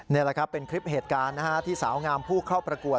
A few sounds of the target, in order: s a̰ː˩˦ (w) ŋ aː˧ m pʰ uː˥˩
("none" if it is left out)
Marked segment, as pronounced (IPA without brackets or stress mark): w